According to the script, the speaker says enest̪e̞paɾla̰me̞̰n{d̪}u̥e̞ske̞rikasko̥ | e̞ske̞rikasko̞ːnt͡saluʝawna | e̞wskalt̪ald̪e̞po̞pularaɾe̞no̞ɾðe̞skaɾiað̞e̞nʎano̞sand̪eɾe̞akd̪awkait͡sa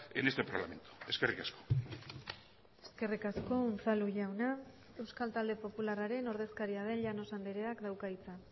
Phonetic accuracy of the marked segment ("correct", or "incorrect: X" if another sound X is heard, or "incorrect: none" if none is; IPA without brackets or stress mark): incorrect: t̪